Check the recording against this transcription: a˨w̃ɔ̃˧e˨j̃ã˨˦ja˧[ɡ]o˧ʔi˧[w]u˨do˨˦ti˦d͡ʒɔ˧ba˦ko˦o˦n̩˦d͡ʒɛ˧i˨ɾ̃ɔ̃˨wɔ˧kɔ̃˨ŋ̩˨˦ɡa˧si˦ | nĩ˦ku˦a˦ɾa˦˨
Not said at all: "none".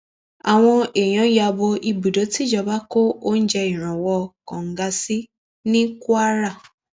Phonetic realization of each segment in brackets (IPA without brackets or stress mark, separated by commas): b, b